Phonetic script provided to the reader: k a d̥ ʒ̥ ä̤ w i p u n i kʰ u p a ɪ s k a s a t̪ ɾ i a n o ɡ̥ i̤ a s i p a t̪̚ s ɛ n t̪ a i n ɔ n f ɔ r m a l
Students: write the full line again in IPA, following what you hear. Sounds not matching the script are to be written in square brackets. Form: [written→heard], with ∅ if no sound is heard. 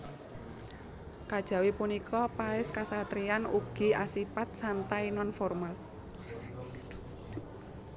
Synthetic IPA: k a d̥ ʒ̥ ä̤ w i p u n i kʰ [u→ɔ] p a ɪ s k a s a t̪ ɾ i a n [o→u] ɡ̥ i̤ a s i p a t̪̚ s [ɛ→a] n t̪ a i n ɔ n f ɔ r m a l